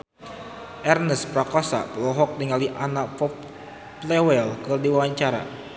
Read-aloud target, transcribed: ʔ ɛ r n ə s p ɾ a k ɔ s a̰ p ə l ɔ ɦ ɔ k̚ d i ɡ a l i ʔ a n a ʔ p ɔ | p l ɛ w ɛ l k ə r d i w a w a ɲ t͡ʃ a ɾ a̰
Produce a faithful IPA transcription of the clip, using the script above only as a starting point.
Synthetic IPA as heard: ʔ ɛ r n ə s p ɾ a k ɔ s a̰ p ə l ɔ ɦ ɔ k̚ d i ŋ a l i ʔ a n a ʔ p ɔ | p l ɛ w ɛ l k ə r d i w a w a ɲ t͡ʃ a ɾ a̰